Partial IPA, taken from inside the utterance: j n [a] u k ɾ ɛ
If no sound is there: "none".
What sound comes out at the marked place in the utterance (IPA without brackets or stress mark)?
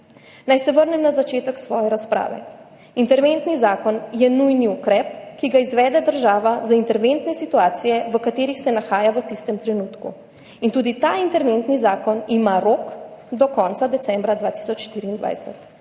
i